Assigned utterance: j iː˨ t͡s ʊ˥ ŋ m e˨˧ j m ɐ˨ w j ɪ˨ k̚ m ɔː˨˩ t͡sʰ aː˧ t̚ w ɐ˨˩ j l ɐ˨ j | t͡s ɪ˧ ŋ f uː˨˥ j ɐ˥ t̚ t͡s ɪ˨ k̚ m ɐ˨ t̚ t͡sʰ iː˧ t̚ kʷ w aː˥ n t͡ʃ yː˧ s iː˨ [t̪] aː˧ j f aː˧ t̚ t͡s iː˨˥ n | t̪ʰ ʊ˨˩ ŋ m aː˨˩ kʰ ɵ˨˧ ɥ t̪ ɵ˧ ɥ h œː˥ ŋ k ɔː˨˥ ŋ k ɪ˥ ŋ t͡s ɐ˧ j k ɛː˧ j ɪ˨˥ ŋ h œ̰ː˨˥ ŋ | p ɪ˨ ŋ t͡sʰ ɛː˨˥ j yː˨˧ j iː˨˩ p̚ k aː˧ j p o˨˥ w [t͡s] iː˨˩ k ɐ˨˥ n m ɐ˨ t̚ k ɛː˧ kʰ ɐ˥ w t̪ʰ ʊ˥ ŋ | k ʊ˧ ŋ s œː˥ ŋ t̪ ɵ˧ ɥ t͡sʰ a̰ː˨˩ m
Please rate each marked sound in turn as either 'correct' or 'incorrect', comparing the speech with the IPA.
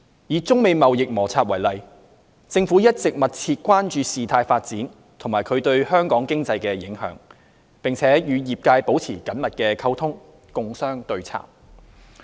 incorrect: t̪ʰ, incorrect: t͡sʰ

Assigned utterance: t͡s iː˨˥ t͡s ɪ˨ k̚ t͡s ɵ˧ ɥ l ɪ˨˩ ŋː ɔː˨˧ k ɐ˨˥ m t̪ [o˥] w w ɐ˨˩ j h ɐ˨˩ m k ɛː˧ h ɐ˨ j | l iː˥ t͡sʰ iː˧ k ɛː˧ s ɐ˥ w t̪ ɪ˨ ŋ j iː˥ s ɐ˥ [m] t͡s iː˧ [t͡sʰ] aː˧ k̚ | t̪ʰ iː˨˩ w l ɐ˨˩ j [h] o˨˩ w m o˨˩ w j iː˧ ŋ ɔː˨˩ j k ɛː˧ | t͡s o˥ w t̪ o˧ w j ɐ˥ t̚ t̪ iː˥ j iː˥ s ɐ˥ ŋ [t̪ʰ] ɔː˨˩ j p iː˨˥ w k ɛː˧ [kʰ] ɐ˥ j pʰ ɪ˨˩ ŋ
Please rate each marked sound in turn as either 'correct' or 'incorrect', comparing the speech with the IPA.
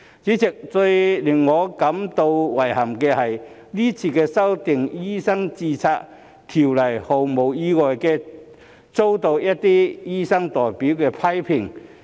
incorrect: o˧, incorrect: ŋ, correct, correct, incorrect: t̪, incorrect: pʰ

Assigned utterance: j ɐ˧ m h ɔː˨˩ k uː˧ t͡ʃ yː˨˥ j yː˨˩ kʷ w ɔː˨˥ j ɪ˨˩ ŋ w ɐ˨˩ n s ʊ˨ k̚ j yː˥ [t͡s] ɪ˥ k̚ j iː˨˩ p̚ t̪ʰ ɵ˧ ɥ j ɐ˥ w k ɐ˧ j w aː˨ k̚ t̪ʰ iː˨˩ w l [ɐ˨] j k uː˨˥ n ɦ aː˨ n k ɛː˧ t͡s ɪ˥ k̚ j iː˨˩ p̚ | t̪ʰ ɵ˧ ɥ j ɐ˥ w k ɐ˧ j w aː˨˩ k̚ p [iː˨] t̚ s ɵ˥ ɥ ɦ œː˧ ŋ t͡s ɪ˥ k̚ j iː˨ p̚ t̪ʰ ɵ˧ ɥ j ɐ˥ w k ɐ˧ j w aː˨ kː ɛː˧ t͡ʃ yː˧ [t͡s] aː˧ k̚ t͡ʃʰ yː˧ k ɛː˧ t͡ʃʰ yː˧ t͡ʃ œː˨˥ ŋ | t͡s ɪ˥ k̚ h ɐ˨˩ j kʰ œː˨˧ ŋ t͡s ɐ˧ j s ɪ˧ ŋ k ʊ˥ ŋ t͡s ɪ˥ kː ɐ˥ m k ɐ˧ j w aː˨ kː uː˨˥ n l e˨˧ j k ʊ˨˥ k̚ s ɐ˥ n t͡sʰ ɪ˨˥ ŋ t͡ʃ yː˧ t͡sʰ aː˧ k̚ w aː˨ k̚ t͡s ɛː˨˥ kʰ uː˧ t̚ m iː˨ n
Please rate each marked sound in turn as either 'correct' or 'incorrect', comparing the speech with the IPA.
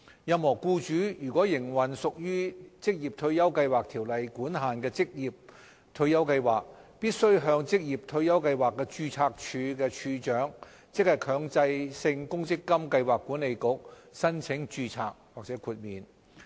correct, correct, incorrect: iː˥, incorrect: t͡sʰ

